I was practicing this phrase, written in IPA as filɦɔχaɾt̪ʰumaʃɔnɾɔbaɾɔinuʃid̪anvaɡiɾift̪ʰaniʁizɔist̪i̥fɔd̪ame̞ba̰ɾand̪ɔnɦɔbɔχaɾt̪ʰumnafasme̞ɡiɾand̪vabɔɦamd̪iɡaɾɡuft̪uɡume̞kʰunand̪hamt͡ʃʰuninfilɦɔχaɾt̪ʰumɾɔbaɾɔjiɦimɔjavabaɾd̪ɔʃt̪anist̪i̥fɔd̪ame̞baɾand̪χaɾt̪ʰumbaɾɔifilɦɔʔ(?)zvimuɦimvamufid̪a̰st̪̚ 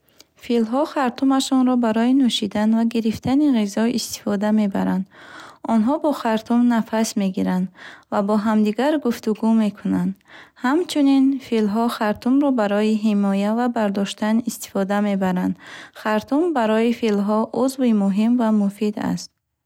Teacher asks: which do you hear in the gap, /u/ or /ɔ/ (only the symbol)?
u